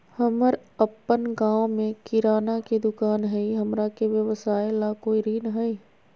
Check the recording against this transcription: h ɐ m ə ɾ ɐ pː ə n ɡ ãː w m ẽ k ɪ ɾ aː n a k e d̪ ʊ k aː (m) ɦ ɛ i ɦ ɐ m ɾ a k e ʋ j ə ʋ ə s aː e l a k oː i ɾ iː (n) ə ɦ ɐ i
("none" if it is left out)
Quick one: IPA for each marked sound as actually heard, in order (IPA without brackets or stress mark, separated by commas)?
n, n